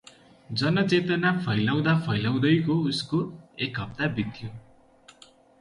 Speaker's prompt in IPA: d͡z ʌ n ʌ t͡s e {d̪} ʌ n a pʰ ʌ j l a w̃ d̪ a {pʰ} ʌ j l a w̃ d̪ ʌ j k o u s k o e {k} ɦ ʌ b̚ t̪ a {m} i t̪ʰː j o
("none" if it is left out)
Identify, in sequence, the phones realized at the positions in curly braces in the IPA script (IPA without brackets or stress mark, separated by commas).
t̪, pʰ, k, b